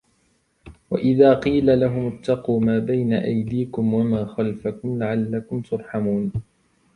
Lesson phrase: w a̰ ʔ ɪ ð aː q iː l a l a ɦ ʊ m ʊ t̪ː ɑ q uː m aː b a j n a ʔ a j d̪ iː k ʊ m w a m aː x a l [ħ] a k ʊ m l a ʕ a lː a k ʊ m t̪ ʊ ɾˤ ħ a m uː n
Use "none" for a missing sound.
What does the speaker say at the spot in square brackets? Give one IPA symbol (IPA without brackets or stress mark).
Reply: f